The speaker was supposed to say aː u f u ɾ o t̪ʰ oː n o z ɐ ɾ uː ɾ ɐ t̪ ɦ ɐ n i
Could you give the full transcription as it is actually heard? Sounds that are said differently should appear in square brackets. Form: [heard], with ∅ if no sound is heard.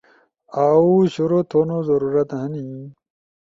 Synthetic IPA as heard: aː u [ɕ] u ɾ o t̪ʰ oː n o z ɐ ɾ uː ɾ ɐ t̪ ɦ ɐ n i